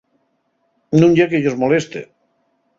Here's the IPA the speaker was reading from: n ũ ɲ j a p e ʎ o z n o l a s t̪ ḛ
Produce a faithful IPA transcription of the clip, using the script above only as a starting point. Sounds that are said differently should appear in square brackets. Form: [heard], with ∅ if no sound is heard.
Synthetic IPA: n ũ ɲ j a [k] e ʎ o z [m] o l [e] s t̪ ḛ